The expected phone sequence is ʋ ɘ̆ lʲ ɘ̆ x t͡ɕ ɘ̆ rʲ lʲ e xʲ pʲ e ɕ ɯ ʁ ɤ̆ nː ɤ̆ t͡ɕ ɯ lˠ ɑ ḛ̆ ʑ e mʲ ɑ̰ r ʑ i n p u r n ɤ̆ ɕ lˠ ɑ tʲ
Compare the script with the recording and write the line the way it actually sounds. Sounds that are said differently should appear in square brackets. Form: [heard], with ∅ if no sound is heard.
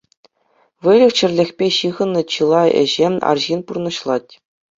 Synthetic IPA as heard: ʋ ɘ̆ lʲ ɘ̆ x t͡ɕ ɘ̆ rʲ lʲ e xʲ pʲ e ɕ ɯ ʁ ɤ̆ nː ɤ̆ t͡ɕ ɯ lˠ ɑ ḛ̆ ʑ e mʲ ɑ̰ r ʑ i n p u r n ɤ̆ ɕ lˠ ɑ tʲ